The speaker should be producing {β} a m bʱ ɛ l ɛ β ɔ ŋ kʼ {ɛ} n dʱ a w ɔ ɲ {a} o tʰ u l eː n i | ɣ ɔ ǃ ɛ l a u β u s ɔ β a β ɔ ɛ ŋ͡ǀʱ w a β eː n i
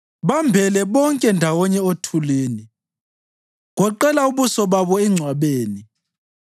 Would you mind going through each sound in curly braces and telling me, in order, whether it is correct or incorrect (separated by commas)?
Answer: correct, correct, incorrect